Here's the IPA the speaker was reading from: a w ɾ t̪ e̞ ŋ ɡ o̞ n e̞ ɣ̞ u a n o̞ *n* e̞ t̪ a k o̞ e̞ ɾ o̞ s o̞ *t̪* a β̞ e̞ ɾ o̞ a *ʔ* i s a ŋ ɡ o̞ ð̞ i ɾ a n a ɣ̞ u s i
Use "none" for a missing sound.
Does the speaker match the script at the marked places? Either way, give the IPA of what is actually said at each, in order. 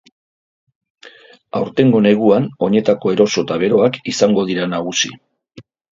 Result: ɲ, t̪, k

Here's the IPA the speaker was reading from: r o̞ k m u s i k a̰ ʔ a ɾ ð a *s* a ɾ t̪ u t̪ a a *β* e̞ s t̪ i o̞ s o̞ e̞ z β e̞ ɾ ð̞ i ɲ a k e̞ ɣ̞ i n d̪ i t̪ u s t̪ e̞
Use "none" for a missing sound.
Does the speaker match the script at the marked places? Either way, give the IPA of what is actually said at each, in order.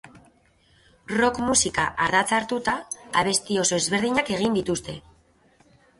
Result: t͡s, β

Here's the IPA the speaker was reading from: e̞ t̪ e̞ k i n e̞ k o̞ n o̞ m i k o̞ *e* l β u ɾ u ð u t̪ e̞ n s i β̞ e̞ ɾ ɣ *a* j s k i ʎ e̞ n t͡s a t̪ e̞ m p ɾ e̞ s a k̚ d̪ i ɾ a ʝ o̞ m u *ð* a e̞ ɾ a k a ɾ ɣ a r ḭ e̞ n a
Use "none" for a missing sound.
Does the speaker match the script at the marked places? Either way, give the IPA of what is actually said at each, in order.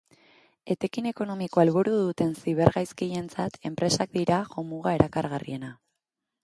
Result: a, a, ɣ

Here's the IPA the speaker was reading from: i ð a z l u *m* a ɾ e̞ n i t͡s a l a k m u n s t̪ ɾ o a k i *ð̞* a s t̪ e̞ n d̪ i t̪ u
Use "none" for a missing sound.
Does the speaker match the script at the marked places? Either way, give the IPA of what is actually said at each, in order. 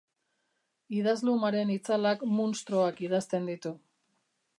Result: m, ð̞

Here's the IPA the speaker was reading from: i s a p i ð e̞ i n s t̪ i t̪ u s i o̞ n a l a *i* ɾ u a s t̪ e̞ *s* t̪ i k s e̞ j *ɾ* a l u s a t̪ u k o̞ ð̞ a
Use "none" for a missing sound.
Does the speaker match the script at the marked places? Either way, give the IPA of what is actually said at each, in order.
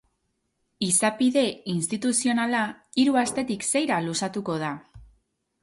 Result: i, none, ɾ

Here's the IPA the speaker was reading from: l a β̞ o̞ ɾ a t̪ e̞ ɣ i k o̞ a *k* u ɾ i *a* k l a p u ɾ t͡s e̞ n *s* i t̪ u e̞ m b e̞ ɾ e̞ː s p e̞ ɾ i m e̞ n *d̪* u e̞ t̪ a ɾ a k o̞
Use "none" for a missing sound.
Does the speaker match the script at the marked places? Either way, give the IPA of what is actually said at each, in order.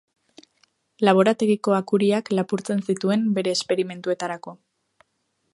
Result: k, a, s, t̪

